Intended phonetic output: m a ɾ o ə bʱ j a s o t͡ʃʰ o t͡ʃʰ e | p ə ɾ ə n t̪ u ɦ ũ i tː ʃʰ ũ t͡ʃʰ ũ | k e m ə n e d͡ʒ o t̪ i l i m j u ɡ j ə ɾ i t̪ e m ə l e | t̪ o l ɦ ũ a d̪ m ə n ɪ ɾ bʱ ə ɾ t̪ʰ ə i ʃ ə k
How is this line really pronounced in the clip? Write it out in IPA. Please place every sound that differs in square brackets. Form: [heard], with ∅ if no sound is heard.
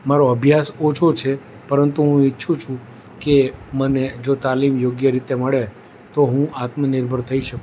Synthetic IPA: m a ɾ o ə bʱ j a s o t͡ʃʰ o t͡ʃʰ e | p ə ɾ ə n t̪ u ɦ ũ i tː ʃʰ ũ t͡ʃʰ ũ | k e m ə n e d͡ʒ o t̪ [a] l i m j [o] ɡ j ə ɾ i t̪ e m ə [ɭ] e | t̪ o [∅] ɦ ũ a [t̪] m ə n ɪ ɾ bʱ ə ɾ t̪ʰ ə i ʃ ə k